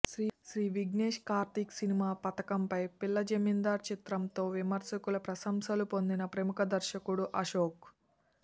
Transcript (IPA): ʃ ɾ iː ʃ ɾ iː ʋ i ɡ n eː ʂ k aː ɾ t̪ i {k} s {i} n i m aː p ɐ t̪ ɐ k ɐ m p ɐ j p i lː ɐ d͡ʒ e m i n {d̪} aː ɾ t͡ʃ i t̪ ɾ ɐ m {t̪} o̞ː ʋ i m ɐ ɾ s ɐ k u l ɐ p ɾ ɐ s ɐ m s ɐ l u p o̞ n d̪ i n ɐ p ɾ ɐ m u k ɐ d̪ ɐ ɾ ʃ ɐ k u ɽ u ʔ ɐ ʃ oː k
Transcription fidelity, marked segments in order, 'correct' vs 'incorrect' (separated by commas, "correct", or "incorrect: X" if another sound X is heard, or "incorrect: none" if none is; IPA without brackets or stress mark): correct, correct, correct, correct